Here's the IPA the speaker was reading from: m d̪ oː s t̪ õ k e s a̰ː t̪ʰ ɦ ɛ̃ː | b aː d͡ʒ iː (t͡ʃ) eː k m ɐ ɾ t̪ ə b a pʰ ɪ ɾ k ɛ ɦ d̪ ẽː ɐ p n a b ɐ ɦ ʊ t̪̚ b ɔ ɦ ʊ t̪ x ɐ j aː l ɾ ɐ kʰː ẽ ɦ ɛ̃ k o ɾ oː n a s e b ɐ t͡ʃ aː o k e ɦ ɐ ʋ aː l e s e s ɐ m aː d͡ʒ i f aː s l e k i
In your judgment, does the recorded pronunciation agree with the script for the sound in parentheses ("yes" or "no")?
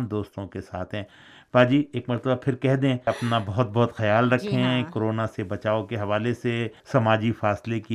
no